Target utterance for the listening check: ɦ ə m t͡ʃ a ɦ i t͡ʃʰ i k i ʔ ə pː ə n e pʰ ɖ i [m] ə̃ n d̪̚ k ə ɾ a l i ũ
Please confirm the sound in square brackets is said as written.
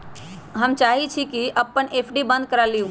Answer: no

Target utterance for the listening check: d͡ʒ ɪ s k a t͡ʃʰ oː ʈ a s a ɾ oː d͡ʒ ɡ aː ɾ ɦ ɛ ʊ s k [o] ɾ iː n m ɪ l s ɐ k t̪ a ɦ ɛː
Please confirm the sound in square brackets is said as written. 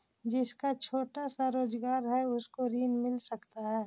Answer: yes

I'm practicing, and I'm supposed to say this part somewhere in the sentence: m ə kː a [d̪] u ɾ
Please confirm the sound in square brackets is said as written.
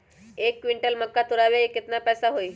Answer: no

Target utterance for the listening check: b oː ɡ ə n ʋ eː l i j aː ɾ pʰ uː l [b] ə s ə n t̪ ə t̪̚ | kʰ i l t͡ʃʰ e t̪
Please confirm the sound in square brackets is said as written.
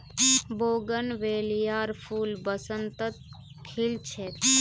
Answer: yes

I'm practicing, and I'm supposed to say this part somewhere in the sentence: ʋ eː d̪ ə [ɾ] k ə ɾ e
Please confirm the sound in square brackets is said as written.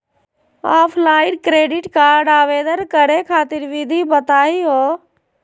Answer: yes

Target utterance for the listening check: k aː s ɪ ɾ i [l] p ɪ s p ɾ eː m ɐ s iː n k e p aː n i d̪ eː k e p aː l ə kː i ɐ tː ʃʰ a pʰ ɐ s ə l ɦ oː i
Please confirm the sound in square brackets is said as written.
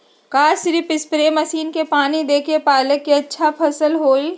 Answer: no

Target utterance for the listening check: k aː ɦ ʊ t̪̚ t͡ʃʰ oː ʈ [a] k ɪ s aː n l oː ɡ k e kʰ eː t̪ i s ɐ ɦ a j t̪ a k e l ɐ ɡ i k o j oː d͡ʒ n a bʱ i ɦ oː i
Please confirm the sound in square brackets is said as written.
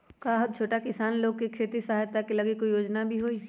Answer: yes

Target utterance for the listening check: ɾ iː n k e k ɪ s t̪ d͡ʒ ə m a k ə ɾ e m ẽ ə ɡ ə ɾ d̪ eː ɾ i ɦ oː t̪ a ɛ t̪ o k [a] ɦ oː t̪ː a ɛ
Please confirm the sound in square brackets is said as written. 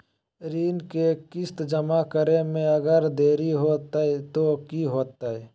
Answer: no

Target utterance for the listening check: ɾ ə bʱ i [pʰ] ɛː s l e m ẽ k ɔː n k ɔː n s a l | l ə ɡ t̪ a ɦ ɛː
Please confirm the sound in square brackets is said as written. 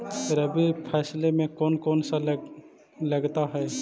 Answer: yes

